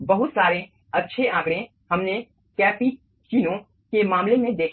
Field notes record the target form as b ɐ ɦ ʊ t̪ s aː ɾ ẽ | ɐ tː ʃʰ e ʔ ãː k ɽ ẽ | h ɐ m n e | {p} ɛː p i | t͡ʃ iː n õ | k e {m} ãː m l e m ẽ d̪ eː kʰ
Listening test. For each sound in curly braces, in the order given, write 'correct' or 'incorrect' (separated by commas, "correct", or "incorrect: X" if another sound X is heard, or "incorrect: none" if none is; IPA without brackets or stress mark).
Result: incorrect: k, correct